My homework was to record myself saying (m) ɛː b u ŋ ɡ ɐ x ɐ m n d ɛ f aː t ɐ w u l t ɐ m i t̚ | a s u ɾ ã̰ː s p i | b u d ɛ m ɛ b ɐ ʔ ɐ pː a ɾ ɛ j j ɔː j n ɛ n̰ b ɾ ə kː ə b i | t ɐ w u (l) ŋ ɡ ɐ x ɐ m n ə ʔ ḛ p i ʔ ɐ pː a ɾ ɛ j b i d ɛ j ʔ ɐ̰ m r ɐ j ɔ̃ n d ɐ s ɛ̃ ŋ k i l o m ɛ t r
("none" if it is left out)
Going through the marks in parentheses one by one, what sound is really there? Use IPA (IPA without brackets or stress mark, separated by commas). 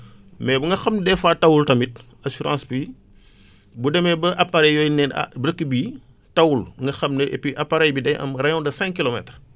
m, l